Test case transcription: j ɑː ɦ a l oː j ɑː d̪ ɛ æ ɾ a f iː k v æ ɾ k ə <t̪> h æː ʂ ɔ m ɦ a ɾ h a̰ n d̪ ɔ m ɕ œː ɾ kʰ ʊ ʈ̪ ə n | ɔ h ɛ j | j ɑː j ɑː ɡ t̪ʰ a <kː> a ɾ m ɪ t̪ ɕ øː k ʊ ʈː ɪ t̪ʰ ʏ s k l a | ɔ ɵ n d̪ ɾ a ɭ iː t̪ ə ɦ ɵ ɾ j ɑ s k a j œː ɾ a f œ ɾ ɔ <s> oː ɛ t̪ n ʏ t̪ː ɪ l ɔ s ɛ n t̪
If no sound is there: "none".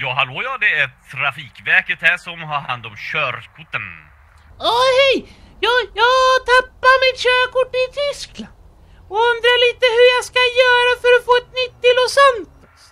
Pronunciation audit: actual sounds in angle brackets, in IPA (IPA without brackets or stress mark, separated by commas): t̪, pː, f